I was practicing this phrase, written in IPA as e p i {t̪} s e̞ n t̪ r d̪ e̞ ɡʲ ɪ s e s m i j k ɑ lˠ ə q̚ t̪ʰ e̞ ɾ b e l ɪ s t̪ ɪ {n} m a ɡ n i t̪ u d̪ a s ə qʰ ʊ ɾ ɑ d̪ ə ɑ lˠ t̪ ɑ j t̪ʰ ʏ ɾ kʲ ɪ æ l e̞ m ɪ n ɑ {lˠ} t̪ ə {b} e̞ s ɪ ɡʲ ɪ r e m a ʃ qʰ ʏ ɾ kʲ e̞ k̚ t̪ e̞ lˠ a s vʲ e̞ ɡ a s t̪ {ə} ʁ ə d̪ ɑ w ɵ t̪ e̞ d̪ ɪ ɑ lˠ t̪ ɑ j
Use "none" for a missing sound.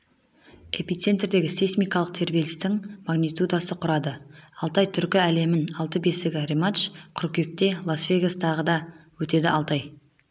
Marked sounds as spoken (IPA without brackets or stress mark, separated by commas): t̪, ŋ, lˠ, b, ɑ